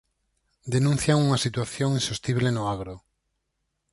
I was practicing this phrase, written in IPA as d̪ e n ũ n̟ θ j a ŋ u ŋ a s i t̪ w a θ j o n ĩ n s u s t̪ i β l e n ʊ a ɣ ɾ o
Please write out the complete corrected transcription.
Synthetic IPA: d̪ e n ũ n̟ θ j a ŋ u ŋ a s i t̪ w a θ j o ŋ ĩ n s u s t̪ i β l e n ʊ a ɣ ɾ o